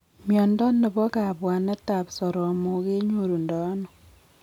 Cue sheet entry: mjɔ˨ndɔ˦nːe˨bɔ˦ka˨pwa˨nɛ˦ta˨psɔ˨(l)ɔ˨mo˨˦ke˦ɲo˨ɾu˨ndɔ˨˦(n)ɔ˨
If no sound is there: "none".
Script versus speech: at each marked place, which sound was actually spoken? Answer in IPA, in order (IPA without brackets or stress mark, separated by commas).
ɾ, n